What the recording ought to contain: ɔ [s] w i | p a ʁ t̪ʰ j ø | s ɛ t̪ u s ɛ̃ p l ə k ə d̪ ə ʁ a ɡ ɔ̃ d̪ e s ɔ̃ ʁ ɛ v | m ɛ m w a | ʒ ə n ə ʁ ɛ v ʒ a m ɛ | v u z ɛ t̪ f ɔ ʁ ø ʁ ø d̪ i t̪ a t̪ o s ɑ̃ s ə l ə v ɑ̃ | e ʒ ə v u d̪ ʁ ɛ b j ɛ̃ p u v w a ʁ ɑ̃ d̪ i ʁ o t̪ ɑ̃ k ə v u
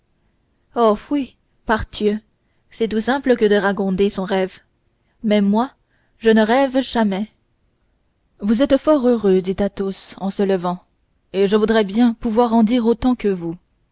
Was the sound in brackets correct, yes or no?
no